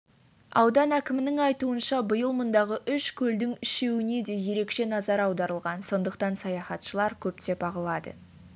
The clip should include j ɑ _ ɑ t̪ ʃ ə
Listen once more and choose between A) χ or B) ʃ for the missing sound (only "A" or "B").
A